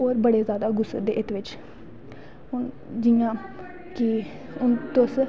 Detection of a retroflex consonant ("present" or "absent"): present